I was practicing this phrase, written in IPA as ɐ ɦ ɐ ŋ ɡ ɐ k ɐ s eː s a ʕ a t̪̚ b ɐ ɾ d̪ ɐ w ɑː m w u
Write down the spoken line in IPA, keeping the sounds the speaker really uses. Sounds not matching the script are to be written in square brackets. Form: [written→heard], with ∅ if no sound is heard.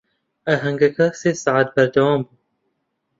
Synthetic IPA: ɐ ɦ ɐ ŋ ɡ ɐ k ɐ s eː s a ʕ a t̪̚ b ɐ ɾ d̪ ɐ w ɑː m [w→b] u